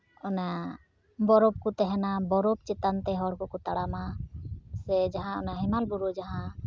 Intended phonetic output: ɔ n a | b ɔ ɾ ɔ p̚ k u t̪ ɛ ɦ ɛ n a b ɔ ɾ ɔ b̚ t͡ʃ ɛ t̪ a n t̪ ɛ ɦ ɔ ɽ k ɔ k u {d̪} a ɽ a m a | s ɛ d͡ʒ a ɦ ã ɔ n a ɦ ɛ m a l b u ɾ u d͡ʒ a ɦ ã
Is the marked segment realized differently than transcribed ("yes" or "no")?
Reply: yes